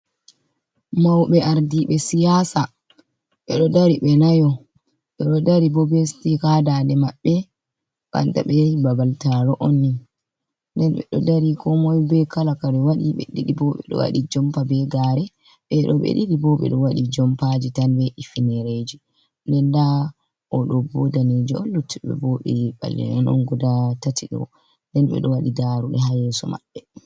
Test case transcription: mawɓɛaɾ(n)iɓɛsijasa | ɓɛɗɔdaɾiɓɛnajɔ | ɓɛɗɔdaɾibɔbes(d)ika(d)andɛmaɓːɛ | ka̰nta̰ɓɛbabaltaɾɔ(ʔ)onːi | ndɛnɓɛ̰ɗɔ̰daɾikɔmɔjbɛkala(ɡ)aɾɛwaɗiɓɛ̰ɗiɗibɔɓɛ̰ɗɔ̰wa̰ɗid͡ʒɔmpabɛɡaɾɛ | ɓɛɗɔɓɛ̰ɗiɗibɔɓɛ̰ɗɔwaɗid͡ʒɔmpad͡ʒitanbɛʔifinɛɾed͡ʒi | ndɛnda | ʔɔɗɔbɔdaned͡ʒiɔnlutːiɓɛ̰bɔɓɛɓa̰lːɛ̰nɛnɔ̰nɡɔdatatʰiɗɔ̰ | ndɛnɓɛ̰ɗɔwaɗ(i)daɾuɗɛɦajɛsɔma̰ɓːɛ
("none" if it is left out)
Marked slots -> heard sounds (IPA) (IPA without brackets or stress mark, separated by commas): d, t, d, ʔ, k, i